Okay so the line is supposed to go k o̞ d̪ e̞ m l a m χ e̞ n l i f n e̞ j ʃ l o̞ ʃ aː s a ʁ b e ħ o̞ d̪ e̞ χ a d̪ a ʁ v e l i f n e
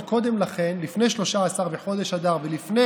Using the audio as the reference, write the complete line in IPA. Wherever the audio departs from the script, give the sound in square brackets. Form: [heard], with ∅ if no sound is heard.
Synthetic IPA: k o̞ d̪ e̞ m l a [∅] χ e̞ n l i f n e̞ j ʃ l o̞ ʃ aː s a ʁ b e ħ o̞ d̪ e̞ [ʃ] a d̪ a ʁ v e l i f n e